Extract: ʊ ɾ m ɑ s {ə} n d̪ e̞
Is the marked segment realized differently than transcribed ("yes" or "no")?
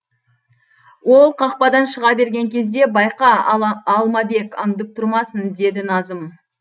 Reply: no